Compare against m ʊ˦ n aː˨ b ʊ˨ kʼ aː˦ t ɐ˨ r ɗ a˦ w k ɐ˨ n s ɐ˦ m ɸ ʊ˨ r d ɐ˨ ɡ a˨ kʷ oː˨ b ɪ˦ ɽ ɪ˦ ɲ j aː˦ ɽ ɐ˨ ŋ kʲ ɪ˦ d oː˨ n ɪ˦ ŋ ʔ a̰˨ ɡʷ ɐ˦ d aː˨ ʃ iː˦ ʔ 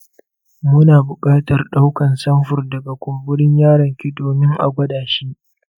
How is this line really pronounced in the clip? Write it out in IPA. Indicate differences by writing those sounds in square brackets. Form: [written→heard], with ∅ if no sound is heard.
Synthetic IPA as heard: m ʊ˦ n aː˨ b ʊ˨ kʼ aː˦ t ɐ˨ r ɗ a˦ w k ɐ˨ n s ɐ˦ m ɸ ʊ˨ r d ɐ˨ ɡ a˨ kʷ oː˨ b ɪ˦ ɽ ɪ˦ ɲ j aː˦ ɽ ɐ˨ ŋ kʲ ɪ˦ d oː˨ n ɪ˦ ŋ ʔ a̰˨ ɡʷ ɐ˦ d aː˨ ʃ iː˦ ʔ